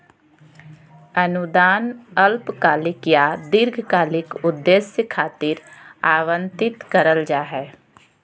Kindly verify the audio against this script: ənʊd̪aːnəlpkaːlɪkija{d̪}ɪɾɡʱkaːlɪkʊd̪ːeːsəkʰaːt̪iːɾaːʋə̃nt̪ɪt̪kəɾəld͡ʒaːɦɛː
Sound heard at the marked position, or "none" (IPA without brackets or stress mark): d̪